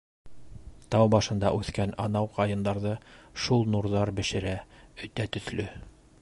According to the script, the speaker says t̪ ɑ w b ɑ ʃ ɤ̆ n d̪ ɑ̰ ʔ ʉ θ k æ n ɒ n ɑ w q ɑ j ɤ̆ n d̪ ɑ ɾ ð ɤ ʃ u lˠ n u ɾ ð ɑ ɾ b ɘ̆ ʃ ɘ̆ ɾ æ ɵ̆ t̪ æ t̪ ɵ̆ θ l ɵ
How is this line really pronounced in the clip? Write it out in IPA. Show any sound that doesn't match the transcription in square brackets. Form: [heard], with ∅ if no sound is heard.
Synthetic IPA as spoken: t̪ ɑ w b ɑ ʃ ɤ̆ n d̪ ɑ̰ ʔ ʉ θ k æ n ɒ n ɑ w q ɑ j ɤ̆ n d̪ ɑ ɾ ð ɤ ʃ u lˠ n u ɾ ð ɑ ɾ b ɘ̆ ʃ ɘ̆ ɾ æ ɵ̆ t̪ æ t̪ ɵ̆ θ l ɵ